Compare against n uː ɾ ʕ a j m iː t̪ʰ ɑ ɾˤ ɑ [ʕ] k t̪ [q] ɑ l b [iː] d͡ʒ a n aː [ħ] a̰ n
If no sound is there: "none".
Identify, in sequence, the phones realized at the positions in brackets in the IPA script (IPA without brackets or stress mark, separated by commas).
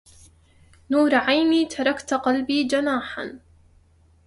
none, q, iː, ħ